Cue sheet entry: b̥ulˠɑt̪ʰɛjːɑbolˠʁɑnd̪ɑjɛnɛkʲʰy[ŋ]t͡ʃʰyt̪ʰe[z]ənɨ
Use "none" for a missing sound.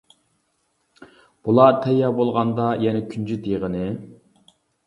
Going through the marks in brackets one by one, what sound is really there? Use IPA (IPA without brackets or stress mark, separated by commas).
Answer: n, ʁ